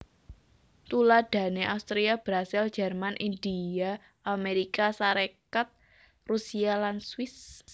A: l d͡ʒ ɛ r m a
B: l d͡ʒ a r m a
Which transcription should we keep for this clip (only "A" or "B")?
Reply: A